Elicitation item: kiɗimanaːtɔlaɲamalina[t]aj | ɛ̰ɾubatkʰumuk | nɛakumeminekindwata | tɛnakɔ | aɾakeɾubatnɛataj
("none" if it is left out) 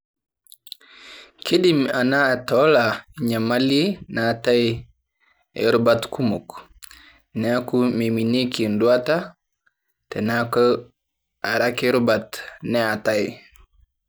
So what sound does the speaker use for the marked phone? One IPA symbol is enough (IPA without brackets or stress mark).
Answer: t